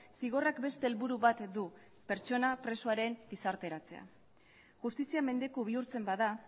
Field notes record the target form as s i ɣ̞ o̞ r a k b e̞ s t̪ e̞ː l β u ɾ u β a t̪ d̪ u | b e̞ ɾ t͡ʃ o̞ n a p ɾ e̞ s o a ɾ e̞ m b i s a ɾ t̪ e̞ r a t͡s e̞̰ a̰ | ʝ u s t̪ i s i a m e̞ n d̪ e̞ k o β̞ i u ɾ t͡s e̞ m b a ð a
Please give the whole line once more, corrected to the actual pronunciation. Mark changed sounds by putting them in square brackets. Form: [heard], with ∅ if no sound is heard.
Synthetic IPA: s i ɣ̞ o̞ r a k b e̞ s t̪ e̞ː l β u ɾ u β a t̪ d̪ u | [p] e̞ ɾ t͡ʃ o̞ n a p ɾ e̞ s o a ɾ e̞ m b i s a ɾ t̪ e̞ [ɾ] a t͡s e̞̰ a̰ | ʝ u s t̪ i s i a m e̞ n d̪ e̞ k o β̞ i u ɾ t͡s e̞ m b a ð a